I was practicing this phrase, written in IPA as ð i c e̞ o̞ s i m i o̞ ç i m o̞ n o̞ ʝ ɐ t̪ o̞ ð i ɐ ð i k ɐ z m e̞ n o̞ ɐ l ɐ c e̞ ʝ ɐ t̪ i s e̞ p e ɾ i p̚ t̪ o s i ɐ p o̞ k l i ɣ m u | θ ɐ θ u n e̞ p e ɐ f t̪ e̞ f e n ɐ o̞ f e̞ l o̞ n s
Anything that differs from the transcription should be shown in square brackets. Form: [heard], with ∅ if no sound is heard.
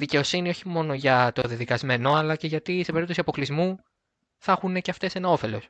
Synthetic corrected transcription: ð i c e̞ o̞ s i [n] i o̞ ç i m o̞ n o̞ ʝ ɐ t̪ o̞ ð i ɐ ð i k ɐ z m e̞ n o̞ ɐ l ɐ c e̞ ʝ ɐ t̪ i s e̞ p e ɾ i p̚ t̪ o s i ɐ p o̞ k l i [z] m u | θ ɐ [x] u n e̞ [c] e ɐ f t̪ e̞ [s] e n ɐ o̞ f e̞ l o̞ [∅] s